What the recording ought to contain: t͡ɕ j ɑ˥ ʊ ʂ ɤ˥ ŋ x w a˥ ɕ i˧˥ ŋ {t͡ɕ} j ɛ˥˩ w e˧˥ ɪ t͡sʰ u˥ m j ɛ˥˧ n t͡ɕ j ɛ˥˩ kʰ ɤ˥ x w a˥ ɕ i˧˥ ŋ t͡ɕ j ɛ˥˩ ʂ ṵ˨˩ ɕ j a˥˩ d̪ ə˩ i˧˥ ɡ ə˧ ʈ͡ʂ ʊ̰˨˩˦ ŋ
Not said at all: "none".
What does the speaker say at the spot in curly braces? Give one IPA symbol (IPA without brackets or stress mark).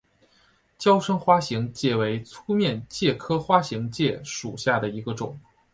t͡ɕ